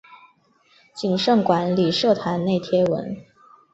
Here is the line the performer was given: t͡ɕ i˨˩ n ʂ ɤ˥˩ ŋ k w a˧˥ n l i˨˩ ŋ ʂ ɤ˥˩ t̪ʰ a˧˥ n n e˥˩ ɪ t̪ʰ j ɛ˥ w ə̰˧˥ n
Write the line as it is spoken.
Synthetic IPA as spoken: t͡ɕ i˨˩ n ʂ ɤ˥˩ ŋ k w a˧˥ n l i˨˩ ʂ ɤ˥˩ t̪ʰ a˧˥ n n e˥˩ ɪ t̪ʰ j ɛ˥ w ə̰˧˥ n